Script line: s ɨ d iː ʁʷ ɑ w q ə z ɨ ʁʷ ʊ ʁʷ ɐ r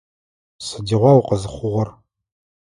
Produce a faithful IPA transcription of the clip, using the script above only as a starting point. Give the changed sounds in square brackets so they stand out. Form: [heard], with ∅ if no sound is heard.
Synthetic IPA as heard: s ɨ d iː ʁʷ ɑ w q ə z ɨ [χʷ] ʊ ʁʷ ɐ r